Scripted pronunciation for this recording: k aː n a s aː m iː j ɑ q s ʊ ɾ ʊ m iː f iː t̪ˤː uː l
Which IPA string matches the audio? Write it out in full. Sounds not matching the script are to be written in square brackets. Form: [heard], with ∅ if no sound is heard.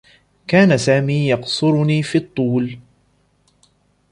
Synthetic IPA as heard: k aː n a s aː m iː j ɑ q s ʊ ɾ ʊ [n] iː f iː t̪ˤː uː l